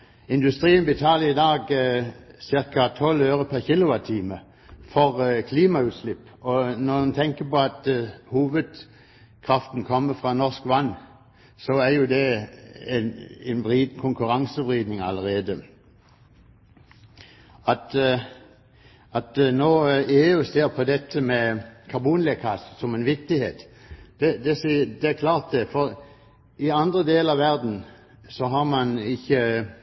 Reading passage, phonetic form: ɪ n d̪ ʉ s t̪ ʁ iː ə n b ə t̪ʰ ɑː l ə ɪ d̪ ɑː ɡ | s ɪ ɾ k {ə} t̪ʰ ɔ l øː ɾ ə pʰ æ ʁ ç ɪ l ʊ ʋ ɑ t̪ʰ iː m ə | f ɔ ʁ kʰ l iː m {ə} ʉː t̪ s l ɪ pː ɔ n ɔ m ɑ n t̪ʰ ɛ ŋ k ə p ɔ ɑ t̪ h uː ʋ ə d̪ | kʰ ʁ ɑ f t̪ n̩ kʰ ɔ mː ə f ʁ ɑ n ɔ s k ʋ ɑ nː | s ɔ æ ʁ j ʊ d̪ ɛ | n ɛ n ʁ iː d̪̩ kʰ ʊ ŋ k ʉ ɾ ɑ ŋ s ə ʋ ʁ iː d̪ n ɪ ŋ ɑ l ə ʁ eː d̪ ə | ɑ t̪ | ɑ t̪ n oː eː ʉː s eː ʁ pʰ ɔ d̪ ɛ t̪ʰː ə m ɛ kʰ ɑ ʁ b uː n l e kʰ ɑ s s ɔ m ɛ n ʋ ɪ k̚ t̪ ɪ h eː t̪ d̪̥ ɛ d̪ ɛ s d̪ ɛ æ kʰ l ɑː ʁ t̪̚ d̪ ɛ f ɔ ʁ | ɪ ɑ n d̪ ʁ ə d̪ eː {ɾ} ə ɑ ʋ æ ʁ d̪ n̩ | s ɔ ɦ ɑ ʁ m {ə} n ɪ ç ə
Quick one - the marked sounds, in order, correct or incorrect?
incorrect, incorrect, incorrect, incorrect

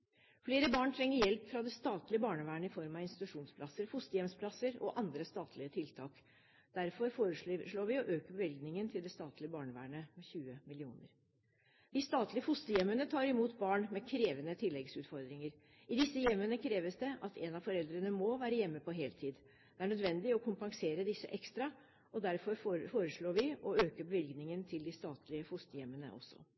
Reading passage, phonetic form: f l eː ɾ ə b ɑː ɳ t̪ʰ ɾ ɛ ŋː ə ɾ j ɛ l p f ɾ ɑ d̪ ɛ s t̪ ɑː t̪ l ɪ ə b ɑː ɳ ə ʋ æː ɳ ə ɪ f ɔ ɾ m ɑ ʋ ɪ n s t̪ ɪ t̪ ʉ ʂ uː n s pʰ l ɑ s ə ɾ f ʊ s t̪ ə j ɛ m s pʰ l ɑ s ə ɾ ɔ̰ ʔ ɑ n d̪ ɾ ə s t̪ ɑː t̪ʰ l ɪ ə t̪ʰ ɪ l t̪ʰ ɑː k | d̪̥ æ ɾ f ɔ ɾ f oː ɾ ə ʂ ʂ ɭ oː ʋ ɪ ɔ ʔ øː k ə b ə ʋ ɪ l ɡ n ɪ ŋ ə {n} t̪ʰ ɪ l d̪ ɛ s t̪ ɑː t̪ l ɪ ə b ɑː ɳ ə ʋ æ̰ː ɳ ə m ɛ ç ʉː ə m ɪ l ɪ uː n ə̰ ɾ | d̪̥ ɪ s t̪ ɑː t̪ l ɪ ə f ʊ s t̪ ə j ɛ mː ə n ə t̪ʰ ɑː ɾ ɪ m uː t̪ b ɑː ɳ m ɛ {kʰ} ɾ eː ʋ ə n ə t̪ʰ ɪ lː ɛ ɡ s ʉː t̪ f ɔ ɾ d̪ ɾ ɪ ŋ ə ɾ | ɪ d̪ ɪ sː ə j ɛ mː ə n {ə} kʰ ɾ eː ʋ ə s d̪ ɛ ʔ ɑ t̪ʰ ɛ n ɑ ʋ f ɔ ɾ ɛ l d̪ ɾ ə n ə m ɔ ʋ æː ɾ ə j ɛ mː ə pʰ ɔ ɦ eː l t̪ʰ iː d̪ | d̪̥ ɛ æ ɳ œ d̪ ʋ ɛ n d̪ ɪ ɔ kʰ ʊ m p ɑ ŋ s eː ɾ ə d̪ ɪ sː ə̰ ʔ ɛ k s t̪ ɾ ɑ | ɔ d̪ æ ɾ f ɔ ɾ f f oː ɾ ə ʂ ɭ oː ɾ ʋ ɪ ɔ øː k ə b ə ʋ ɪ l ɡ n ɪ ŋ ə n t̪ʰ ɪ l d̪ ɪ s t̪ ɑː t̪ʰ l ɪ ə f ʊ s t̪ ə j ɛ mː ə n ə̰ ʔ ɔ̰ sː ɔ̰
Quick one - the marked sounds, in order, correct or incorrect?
correct, correct, correct

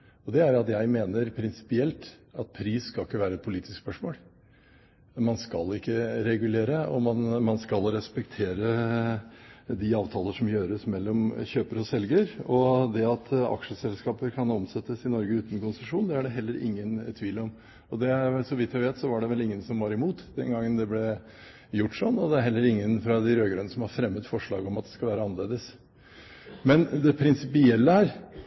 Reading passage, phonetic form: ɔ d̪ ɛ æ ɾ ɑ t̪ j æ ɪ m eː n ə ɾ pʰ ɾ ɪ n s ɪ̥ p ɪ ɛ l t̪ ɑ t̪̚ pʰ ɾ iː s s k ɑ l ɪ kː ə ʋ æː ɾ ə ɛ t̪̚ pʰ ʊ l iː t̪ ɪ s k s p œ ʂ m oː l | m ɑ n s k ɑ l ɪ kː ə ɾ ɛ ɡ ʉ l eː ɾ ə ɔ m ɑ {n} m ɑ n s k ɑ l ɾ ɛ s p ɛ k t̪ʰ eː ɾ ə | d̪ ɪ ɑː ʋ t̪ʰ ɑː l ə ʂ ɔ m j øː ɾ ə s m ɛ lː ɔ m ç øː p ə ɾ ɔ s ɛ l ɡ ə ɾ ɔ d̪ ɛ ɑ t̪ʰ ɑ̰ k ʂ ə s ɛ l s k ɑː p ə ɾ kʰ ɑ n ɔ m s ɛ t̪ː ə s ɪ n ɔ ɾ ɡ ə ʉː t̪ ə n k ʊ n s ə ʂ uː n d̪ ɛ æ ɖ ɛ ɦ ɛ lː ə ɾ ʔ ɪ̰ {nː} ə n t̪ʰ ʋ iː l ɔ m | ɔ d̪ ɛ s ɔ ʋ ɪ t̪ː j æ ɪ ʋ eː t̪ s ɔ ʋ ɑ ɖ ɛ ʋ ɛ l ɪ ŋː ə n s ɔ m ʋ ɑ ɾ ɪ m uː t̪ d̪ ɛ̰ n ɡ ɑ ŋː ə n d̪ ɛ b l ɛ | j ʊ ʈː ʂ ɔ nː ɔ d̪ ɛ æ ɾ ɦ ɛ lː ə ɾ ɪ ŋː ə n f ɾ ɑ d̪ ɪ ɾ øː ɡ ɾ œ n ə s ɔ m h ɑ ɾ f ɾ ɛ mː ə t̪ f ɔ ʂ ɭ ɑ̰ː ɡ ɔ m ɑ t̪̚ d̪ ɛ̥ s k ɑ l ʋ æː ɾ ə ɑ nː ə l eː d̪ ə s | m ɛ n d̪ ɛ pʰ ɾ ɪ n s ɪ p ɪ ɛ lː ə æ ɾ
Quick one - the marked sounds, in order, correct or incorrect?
correct, incorrect

